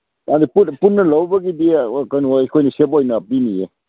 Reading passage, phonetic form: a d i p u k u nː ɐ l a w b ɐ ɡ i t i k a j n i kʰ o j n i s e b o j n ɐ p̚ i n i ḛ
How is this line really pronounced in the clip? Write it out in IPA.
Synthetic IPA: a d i p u p u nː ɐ l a w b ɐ ɡ i d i k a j n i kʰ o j n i s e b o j n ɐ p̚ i n i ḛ